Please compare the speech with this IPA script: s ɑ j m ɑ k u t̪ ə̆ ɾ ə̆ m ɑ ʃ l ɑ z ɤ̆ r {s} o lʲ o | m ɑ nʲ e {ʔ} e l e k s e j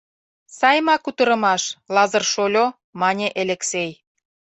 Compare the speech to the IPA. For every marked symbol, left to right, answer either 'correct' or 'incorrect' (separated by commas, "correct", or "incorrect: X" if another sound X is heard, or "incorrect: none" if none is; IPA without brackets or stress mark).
incorrect: ʃ, correct